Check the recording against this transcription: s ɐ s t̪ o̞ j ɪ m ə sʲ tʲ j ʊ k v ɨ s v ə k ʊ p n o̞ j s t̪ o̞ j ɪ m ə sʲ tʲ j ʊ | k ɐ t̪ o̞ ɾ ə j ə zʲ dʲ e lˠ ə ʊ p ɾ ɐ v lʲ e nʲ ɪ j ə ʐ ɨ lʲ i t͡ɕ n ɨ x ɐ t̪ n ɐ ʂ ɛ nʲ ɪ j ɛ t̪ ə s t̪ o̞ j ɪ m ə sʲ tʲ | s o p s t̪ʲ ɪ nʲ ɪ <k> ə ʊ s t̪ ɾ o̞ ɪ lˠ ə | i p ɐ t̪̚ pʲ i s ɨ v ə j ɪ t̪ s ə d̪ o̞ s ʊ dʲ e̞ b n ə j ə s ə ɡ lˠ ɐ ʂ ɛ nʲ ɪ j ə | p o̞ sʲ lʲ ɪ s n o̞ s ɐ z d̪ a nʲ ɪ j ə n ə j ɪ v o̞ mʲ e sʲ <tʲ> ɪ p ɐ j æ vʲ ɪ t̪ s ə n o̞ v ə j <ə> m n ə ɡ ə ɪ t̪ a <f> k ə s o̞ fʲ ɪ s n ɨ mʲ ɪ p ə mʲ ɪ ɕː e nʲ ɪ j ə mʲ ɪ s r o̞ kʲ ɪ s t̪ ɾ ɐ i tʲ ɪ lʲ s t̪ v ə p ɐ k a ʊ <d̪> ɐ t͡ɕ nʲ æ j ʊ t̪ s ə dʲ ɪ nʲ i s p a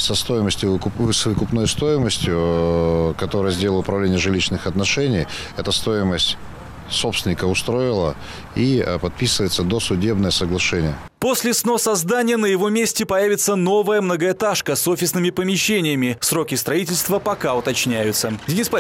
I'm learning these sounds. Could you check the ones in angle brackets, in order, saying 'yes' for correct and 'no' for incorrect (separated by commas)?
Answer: yes, yes, yes, no, no